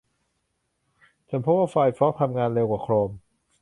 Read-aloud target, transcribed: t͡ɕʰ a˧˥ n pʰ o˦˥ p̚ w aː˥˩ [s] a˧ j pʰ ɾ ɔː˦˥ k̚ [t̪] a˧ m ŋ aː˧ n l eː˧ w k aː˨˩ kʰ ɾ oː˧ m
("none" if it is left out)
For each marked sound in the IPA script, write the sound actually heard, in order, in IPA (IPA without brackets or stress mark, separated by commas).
f, t̪ʰ